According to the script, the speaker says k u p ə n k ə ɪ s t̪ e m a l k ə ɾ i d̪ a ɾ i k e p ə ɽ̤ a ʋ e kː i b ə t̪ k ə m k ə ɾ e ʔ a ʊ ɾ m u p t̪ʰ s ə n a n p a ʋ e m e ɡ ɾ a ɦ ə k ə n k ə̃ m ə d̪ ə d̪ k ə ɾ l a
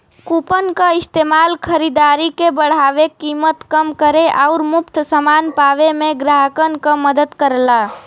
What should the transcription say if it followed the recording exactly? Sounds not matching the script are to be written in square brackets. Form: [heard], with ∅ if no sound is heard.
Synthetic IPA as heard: k u p ə n k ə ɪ s t̪ e m a l [kʰ] ə ɾ i d̪ a ɾ i k e [b] ə ɽ̤ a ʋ e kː i [m] ə t̪ k ə m k ə ɾ e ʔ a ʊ ɾ m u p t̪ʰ s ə [m] a n p a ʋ e m e ɡ ɾ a ɦ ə k ə n k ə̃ m ə d̪ ə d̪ k ə ɾ l a

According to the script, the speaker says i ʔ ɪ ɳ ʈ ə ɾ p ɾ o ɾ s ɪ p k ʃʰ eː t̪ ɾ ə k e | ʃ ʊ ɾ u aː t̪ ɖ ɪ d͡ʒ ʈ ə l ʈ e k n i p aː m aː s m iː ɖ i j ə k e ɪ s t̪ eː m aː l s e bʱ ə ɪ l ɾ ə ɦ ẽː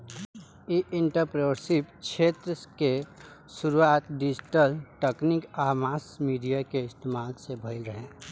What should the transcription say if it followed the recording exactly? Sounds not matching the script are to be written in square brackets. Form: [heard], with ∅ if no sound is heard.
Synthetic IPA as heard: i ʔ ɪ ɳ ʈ ə ɾ p ɾ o ɾ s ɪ p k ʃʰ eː t̪ ɾ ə k e | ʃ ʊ ɾ u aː t̪ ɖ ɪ d͡ʒ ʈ ə l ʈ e k n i [k] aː m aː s m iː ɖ i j [a] k e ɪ s t̪ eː m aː l s e bʱ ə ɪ l ɾ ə ɦ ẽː

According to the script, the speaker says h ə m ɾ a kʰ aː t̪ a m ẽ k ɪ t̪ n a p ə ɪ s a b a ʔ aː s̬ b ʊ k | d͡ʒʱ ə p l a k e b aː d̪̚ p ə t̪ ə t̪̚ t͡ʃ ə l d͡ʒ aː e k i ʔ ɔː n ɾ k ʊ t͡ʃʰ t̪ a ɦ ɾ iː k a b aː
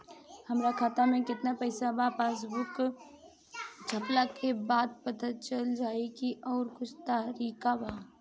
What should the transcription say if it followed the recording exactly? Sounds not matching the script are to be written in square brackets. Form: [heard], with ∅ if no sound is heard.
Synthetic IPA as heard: h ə m ɾ a kʰ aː t̪ a m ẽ k ɪ t̪ n a p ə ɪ s a b a [p] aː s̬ b ʊ k | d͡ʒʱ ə p l a k e b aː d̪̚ p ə t̪ ə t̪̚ t͡ʃ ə l d͡ʒ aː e k i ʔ ɔː [∅] ɾ k ʊ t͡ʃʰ t̪ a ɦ ɾ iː k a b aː

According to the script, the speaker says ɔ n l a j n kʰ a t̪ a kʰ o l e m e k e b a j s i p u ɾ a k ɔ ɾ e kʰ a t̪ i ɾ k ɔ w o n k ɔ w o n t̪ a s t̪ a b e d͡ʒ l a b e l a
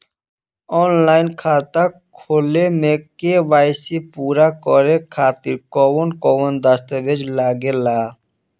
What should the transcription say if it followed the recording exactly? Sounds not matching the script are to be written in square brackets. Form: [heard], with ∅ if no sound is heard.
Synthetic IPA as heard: ɔ n l a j n kʰ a t̪ a kʰ o l e m e k e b a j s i p u ɾ a k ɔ ɾ e kʰ a t̪ i ɾ k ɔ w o n k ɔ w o n [d̪] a s t̪ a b e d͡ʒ l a [ɡ] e l a

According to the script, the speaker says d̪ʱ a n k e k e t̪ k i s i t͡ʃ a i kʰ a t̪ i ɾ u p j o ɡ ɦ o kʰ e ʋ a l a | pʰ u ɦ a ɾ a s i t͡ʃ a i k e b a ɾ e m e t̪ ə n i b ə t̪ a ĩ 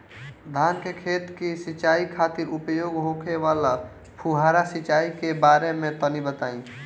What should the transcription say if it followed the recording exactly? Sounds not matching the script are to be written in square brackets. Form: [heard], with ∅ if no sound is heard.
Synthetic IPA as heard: d̪ʱ a n k e [kʰ] e t̪ k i s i t͡ʃ a i kʰ a t̪ i ɾ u p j o ɡ ɦ o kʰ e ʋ a l a | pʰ u ɦ a ɾ a s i t͡ʃ a i k e b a ɾ e m e t̪ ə n i b ə t̪ a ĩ

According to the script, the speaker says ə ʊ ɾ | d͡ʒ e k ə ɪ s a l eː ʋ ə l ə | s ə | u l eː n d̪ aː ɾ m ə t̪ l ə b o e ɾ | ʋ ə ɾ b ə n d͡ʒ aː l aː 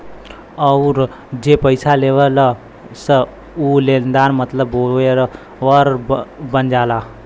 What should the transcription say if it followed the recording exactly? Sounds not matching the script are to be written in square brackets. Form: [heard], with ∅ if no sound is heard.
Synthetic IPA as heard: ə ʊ ɾ | d͡ʒ e [p] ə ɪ s a l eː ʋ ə l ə | s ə | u l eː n d̪ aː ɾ m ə t̪ l ə b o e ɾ | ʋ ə ɾ b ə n d͡ʒ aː l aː

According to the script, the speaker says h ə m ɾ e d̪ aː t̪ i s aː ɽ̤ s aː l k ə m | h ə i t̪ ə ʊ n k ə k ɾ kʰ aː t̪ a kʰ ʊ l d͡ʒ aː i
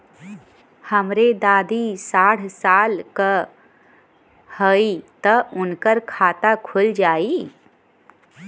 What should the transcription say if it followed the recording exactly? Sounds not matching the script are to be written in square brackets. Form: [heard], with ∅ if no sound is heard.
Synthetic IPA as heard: h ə m ɾ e d̪ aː [d̪] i s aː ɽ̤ s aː l k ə [∅] | h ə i t̪ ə ʊ n k ə [∅] ɾ kʰ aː t̪ a kʰ ʊ l d͡ʒ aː i

